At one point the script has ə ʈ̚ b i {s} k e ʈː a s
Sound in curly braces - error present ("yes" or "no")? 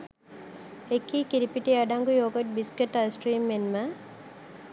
no